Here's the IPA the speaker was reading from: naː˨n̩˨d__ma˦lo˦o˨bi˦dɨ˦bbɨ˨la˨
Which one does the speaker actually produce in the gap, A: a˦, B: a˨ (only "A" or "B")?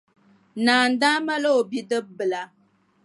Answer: A